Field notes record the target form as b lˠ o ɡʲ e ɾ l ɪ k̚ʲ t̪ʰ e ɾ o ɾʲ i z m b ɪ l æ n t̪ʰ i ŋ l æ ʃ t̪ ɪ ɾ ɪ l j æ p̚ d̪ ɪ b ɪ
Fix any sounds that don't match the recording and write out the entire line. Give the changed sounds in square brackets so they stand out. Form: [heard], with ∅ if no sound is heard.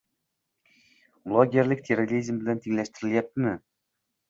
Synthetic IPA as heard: b lˠ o ɡʲ e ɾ l ɪ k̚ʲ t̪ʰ e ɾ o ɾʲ i z m b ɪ l æ n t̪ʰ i ŋ l æ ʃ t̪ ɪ ɾ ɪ l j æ p̚ [t̪] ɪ [m] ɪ